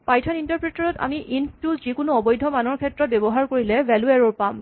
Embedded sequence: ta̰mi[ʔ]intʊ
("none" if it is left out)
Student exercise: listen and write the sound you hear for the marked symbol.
ʔ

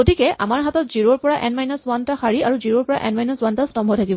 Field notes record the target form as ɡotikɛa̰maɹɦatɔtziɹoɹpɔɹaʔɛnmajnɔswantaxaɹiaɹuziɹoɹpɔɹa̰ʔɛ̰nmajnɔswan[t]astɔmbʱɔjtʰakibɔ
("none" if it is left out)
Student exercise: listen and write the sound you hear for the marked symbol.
t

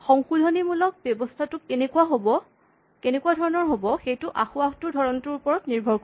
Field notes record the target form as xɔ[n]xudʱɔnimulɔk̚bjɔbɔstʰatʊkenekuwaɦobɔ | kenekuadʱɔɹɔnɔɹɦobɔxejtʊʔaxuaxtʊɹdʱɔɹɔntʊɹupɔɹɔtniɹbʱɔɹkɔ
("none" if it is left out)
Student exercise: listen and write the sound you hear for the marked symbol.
ŋ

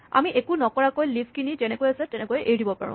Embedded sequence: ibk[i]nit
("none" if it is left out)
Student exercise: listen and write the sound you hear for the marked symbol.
i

